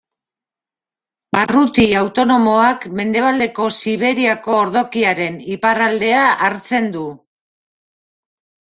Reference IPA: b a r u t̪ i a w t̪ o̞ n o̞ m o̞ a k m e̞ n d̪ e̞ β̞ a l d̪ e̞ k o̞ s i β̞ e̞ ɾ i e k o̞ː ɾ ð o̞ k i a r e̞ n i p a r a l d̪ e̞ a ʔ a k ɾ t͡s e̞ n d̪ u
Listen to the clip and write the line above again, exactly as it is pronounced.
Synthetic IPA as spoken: b a r u t̪ i a w t̪ o̞ n o̞ m o̞ a k m e̞ n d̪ e̞ β̞ a l d̪ e̞ k o̞ s i β̞ e̞ ɾ i a k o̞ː ɾ ð o̞ k i a ɾ e̞ n i p a r a l d̪ e̞ a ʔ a ɾ t͡s e̞ n d̪ u